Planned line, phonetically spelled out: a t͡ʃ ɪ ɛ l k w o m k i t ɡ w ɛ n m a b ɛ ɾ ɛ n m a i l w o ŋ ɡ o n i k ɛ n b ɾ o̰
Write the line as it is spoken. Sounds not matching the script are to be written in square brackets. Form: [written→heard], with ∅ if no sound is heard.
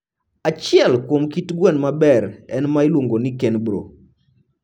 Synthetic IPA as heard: a t͡ʃ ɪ ɛ l k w o m k i t ɡ w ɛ n m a b ɛ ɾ ɛ n m a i l w o ŋ ɡ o n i k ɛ n b ɾ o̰